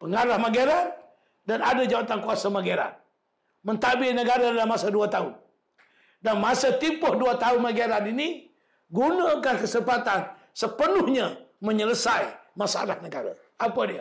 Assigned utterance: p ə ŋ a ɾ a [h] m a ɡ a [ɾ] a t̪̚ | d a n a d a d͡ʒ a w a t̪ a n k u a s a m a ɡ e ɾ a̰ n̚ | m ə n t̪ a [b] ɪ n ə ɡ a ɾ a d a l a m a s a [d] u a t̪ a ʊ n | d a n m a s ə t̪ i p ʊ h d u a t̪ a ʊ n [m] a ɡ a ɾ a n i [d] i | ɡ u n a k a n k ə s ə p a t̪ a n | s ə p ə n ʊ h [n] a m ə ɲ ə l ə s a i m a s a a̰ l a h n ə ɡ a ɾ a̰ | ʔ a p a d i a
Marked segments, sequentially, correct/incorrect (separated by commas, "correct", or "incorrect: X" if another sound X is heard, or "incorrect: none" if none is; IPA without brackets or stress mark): correct, correct, correct, correct, correct, incorrect: n, incorrect: ɲ